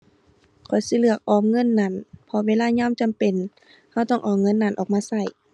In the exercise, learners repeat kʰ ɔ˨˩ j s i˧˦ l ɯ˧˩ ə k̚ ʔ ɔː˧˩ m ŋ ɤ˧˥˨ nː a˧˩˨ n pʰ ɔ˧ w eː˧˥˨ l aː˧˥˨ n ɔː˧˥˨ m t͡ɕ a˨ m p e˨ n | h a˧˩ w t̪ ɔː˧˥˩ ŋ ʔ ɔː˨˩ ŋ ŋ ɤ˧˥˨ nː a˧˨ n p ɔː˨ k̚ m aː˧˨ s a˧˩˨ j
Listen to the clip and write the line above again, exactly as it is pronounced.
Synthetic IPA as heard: kʰ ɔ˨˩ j s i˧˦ l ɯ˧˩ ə k̚ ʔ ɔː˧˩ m ŋ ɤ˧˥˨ nː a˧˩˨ n pʰ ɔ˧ w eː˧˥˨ l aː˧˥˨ ɲ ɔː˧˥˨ m t͡ɕ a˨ m p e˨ n | h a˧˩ w t̪ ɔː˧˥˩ ŋ ʔ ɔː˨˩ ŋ ŋ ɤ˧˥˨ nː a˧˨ n ʔ ɔː˨ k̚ m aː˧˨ s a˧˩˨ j